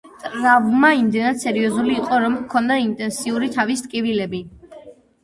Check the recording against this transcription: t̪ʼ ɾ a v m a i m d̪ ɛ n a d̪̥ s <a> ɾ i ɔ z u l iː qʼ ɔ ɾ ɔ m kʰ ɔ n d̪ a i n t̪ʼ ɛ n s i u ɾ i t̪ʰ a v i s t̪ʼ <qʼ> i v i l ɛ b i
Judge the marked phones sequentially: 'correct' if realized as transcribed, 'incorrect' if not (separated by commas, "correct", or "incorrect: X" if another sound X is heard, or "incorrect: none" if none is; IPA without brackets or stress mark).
incorrect: ɛ, incorrect: kʼ